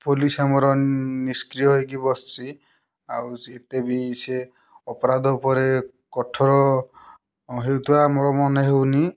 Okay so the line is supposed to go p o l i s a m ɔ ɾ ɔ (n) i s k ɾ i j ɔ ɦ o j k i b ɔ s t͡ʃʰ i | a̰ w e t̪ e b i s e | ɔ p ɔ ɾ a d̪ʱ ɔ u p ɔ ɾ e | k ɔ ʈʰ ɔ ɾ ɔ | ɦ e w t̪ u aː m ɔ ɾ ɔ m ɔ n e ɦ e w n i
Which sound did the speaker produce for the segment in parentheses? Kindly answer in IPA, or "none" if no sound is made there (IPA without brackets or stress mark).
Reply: n